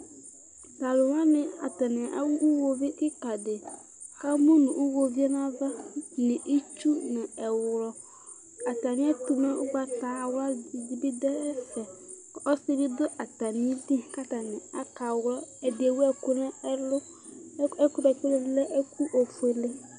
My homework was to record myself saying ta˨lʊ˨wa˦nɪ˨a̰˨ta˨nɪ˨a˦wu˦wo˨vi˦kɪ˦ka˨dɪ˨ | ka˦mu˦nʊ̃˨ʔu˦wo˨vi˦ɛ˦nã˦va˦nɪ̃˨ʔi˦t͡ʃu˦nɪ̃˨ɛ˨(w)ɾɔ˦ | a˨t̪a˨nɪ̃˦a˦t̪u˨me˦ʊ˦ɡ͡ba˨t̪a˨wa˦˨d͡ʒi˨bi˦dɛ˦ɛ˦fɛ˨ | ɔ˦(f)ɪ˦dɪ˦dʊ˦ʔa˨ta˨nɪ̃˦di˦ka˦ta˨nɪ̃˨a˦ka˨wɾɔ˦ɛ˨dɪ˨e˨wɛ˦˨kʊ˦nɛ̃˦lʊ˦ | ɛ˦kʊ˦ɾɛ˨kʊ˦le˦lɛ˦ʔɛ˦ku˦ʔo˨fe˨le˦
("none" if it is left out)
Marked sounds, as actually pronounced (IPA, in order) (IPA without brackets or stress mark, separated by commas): w, s